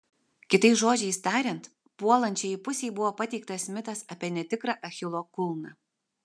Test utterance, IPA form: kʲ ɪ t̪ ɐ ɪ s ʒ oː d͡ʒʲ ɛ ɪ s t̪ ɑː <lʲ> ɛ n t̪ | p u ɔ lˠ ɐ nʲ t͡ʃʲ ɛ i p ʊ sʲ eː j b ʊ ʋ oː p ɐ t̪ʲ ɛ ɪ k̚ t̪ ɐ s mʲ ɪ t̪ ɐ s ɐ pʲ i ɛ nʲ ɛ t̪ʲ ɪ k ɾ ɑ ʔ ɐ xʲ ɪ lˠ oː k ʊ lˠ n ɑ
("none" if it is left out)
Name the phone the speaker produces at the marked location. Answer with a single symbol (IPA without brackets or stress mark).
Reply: ɾʲ